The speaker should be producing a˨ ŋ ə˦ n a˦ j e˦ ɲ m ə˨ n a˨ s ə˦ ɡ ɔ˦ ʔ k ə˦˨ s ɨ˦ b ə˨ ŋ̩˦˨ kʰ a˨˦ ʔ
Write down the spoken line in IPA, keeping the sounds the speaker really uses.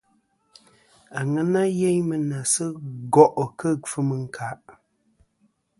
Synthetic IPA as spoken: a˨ ŋ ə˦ n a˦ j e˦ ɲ m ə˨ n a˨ s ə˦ ɡ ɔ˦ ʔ k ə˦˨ f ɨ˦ m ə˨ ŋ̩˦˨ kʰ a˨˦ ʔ